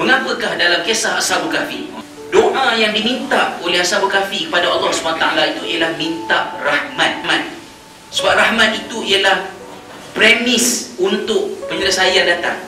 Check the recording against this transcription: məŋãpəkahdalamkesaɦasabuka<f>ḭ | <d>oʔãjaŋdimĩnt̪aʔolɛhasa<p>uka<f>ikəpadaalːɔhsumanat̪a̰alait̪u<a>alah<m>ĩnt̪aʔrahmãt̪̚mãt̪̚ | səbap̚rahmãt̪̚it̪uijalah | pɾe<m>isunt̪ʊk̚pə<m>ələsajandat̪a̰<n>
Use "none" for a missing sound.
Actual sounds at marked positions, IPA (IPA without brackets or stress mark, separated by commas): f, d, b, f, i, m, m, ɲ, ŋ